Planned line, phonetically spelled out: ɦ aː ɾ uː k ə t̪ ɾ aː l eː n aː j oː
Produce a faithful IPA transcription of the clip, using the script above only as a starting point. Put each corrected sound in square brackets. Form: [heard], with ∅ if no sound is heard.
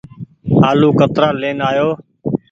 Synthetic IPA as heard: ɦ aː [l] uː k ə t̪ ɾ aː l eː n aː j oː